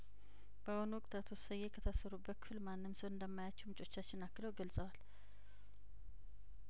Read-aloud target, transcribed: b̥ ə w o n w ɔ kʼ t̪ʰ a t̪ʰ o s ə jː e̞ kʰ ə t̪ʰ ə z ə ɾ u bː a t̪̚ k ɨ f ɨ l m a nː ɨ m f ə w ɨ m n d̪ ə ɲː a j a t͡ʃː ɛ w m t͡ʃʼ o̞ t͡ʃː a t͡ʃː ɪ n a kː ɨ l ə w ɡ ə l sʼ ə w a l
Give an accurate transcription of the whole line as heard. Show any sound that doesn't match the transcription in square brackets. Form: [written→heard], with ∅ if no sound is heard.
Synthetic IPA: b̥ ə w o n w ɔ kʼ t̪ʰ a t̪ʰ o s ə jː e̞ kʰ ə t̪ʰ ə [z→s] ə ɾ u bː [a→ə] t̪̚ k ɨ f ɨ l m a nː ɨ m [f→s] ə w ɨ [m→∅] n d̪ ə [ɲː→mː] a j a t͡ʃː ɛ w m t͡ʃʼ o̞ t͡ʃː a t͡ʃː ɪ n a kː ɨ l ə w ɡ ə l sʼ ə w a l